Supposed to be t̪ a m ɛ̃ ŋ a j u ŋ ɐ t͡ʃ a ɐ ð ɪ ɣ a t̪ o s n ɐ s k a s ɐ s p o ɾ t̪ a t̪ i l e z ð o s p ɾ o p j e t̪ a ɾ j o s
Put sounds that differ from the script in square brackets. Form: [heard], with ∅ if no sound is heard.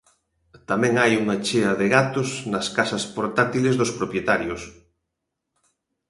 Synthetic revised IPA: t̪ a m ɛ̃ ŋ a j u ŋ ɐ t͡ʃ [e] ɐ ð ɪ ɣ a t̪ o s n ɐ s k a s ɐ s p o ɾ t̪ a t̪ i l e z ð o s p ɾ o p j e t̪ a ɾ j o s